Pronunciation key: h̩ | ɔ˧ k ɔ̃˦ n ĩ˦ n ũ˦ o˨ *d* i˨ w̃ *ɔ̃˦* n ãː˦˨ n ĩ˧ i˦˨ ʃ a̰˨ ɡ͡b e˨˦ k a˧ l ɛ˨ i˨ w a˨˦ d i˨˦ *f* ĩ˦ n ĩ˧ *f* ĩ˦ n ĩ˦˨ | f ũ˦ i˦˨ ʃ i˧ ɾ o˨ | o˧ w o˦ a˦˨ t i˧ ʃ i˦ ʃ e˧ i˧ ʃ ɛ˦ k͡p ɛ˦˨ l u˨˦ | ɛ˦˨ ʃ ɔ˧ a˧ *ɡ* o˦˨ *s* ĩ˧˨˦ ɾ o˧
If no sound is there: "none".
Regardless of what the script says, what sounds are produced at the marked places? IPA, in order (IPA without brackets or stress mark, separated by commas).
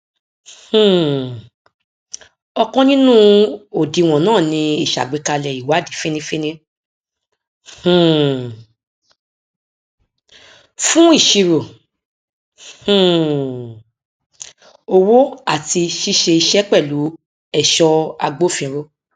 d, ɔ̃˨, f, f, ɡ͡b, f